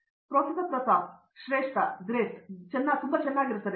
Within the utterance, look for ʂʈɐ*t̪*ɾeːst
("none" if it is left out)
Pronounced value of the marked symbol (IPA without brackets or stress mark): d̪